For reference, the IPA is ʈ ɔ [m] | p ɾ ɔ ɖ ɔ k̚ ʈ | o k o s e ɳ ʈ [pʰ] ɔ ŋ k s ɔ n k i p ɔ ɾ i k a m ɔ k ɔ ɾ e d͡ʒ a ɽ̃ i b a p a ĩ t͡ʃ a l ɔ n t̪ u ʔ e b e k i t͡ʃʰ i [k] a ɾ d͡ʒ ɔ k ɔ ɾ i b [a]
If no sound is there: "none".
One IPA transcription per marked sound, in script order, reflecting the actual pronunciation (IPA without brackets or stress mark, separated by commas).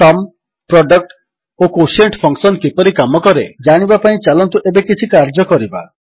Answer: m, pʰ, k, a